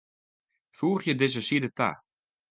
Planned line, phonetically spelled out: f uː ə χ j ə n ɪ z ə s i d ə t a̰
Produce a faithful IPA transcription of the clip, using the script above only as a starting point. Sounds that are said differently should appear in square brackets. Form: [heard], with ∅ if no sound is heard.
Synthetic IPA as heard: f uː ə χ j ə [d] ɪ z ə s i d ə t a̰

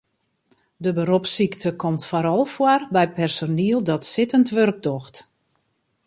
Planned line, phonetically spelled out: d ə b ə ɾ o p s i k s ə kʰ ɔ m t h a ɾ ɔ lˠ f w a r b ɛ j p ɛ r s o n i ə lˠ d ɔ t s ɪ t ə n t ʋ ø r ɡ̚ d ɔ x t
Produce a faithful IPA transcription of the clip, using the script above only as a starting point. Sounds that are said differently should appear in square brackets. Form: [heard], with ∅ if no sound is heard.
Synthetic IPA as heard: d ə b ə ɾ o p s i k [t] ə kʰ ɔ m t [f] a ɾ ɔ lˠ f w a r b ɛ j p ɛ r s o n i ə lˠ d ɔ t s ɪ t ə n t ʋ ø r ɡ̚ d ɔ x t

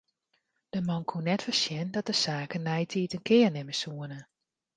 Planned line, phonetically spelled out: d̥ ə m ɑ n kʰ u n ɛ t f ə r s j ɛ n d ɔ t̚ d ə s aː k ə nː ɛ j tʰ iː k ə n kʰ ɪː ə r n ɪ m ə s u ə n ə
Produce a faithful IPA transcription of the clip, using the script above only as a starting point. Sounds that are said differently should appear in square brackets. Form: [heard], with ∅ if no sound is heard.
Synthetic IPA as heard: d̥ ə m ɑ n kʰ u n ɛ t f ə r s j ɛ n d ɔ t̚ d ə s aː k ə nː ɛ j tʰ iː [t] ə n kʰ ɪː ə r n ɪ m ə s u ə n ə

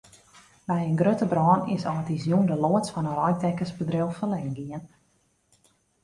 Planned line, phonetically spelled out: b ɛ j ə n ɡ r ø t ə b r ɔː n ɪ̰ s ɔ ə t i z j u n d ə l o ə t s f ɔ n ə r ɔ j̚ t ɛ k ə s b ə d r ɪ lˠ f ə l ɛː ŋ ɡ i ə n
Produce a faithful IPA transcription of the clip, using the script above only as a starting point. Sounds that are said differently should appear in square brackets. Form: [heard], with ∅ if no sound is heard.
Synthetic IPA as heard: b ɛ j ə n ɡ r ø t ə b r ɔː n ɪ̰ s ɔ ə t i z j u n d ə l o ə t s f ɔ n ə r ɔ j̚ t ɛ k ə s b ə d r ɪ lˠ f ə l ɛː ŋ ɡ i ə n

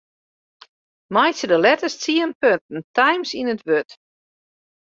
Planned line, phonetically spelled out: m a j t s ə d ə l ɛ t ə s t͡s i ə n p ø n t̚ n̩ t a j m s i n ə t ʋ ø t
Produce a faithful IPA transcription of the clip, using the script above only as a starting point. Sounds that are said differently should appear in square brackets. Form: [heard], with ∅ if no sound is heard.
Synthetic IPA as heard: m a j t s ə d ə l ɛ t ə s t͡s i ə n p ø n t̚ n̩ t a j m s i n ə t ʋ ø t

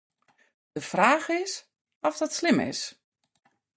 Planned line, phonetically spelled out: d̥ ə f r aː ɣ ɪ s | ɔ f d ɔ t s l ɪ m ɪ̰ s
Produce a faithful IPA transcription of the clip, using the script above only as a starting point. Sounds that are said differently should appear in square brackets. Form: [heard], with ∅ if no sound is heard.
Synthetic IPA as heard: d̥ ə f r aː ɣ ɪ s | ɔ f d ɔ t s l ɪ m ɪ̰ s

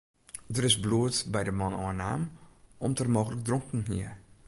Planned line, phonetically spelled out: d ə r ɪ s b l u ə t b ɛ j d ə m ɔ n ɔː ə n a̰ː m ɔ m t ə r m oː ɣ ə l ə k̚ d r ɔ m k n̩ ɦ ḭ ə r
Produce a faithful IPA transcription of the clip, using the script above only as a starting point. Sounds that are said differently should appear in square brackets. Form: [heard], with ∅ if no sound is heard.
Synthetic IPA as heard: d ə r ɪ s b l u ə t b ɛ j d ə m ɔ n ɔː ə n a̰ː m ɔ m t ə r m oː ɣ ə l ə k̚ d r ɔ [ŋ] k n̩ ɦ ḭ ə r

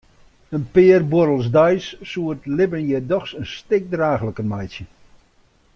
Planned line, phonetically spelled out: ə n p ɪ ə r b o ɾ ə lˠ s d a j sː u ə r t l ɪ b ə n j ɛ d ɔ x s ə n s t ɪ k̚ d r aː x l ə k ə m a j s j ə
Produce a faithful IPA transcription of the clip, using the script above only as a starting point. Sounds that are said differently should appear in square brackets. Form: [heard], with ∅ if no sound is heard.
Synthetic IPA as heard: ə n p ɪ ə r b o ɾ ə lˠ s d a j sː u ə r t l ɪ b ə n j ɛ d ɔ x s ə n s t ɪ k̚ d r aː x l ə k ə m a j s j ə

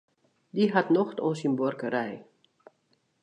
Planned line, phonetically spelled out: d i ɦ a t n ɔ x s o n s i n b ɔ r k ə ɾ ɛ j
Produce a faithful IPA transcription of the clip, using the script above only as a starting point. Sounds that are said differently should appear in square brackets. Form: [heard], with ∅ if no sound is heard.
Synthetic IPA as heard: d i ɦ a t n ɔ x [t] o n s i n b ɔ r k ə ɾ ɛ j

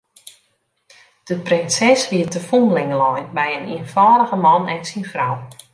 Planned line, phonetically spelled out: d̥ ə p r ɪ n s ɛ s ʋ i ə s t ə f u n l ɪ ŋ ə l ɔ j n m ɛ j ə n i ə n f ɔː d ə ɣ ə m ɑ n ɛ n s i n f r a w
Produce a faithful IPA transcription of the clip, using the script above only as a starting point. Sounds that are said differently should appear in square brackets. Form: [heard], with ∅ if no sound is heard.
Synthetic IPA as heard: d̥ ə p r ɪ n s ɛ s ʋ i ə [∅] t ə f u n l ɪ ŋ ə l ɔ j n [b] ɛ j ə n i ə n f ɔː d ə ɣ ə m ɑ n ɛ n s i n f r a w

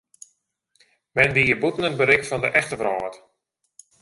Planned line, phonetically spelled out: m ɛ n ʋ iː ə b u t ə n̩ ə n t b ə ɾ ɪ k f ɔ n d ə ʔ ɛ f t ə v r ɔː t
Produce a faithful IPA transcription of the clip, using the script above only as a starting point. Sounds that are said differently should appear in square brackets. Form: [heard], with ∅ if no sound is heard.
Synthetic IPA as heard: m ɛ n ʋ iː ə b u t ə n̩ ə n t b ə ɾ ɪ k f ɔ n d ə ʔ ɛ [x] t ə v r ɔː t

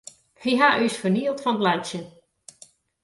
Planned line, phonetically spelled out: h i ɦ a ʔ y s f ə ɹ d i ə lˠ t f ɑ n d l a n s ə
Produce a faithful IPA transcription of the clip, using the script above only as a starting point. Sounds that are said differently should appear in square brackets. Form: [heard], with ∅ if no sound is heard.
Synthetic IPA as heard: h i ɦ a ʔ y s f ə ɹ [n] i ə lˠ t f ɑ n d l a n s ə

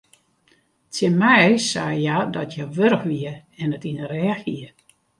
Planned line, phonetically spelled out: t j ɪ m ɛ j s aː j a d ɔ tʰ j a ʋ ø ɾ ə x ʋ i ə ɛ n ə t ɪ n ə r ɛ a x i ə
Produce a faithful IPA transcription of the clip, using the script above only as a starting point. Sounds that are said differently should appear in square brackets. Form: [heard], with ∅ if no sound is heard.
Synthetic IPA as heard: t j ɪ m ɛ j s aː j a d ɔ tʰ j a ʋ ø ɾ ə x ʋ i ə ɛ n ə t [i] n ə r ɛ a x i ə

